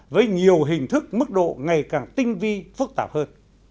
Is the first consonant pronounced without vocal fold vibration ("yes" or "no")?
no